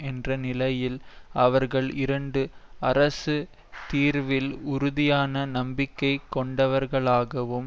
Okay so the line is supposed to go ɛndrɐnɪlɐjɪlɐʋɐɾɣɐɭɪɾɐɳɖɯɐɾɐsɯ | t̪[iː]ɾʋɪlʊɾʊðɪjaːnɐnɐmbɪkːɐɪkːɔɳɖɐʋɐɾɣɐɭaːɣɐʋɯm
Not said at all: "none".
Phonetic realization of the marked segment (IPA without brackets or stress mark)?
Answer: iː